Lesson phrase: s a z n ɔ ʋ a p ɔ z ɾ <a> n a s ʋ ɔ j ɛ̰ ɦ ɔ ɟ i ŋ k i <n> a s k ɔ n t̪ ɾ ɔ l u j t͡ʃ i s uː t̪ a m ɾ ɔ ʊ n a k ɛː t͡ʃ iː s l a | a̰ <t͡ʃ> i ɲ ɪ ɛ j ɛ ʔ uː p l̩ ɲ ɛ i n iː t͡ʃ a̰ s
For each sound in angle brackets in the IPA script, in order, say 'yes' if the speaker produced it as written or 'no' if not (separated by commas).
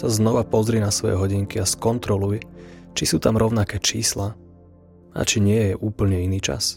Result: no, no, yes